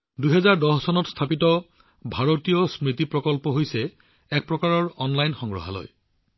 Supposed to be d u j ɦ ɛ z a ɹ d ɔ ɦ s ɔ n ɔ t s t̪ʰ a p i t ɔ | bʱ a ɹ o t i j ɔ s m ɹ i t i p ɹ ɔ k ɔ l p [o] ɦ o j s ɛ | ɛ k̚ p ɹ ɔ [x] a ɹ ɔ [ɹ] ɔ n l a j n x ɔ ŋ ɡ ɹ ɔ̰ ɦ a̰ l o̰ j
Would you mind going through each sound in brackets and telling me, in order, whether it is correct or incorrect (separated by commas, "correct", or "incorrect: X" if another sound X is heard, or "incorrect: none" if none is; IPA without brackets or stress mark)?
incorrect: ɔ, incorrect: k, correct